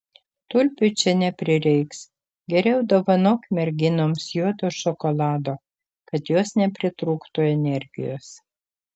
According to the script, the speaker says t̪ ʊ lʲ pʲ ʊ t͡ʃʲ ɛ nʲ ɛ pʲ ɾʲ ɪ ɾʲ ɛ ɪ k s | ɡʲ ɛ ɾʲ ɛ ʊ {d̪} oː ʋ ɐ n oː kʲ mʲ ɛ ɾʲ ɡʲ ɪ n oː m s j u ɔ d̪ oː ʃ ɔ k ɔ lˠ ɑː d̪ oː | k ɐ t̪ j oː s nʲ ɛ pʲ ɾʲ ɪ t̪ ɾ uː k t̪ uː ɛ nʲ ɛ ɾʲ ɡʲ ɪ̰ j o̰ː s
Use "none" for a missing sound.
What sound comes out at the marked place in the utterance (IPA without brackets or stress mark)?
d̪